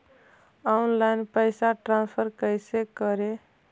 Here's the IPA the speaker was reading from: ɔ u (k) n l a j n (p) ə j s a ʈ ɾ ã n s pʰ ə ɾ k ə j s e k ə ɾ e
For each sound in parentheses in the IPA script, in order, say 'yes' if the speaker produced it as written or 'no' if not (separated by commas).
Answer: no, yes